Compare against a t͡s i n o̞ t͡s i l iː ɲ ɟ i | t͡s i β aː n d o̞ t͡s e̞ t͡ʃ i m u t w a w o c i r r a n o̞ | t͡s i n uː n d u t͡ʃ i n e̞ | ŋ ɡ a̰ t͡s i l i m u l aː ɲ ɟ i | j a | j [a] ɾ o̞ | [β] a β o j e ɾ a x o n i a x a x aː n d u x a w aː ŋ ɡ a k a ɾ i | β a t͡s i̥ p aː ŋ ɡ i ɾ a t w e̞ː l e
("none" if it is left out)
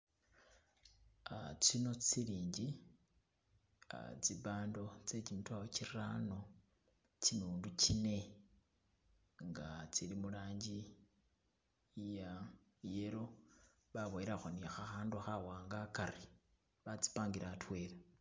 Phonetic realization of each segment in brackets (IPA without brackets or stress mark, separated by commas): e, β